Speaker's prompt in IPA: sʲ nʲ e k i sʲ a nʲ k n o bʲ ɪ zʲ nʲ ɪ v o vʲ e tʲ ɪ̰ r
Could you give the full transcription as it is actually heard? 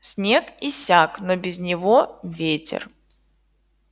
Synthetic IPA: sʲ nʲ e k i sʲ a k n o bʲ ɪ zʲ nʲ ɪ v o vʲ e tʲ ɪ̰ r